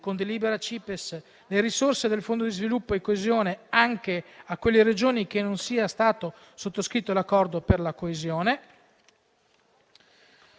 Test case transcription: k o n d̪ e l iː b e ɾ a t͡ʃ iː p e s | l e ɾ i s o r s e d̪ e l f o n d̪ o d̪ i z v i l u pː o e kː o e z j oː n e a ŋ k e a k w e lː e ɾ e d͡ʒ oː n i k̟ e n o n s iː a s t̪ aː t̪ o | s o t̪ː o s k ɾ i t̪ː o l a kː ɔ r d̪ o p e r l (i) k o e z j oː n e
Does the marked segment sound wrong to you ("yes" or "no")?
yes